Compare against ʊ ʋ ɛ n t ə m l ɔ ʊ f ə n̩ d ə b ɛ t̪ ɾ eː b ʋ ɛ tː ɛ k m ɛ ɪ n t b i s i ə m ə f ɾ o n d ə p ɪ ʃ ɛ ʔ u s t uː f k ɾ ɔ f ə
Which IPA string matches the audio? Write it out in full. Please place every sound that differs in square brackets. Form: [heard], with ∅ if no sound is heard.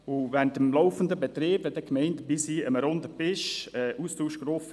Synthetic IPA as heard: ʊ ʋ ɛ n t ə m l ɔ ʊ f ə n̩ d ə b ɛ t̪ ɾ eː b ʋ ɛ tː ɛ k m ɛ ɪ n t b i s i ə m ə [∅] ɾ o n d ə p ɪ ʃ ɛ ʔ u s t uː [ʃ] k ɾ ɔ f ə